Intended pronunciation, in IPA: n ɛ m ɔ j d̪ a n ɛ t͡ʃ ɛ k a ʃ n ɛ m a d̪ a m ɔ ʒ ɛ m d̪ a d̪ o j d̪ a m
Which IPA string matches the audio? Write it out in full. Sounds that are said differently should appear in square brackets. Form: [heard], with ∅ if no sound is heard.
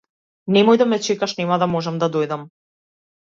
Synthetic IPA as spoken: n ɛ m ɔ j d̪ a [m] ɛ t͡ʃ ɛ k a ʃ n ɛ m a d̪ a m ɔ ʒ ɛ m d̪ a d̪ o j d̪ a m